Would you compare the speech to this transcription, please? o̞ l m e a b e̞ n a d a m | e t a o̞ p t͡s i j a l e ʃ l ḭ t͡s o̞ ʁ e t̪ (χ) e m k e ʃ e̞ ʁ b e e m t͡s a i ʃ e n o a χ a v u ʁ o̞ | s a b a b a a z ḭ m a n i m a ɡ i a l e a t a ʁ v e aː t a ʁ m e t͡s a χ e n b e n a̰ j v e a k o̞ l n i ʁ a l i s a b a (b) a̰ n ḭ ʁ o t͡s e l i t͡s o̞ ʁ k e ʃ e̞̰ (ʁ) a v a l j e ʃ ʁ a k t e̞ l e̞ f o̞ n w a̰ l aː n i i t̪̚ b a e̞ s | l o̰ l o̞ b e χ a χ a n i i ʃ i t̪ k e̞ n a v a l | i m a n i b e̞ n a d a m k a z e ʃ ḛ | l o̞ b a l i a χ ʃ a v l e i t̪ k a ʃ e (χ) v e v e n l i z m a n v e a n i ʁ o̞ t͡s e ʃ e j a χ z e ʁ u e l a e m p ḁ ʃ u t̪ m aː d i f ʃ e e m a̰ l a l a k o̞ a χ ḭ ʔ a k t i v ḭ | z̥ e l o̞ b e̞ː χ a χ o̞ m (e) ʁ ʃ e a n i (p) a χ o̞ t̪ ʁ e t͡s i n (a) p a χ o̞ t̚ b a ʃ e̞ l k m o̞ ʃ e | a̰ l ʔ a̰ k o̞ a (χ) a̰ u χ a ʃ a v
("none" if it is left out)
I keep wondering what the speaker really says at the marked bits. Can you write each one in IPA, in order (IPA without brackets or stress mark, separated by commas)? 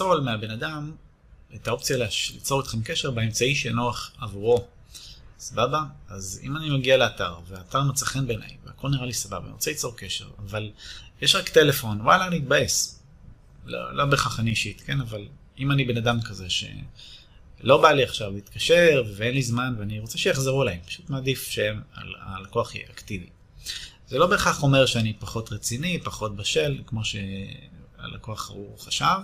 χ, b, ʁ, ʁ, e, p, i, χ